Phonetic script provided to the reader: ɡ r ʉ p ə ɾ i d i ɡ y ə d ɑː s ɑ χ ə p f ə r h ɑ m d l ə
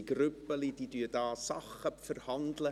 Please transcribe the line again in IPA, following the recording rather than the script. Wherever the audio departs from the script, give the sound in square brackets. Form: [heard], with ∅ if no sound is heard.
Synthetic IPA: ɡ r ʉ p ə [l] i d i [d] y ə d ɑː s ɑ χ ə p f ə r h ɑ [n] d l ə